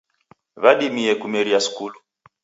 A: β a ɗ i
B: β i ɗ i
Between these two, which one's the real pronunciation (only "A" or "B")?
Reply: A